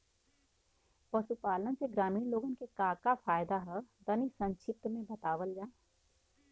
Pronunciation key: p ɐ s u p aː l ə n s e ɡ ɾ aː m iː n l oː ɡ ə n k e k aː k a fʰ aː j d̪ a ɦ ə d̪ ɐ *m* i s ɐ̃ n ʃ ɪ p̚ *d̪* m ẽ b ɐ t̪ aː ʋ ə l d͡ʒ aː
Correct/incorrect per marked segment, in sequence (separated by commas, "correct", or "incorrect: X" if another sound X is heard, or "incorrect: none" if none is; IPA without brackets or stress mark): incorrect: n, incorrect: t̪